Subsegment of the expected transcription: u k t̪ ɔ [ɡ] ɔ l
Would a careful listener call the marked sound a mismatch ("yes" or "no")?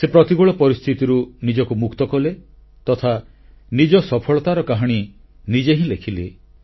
yes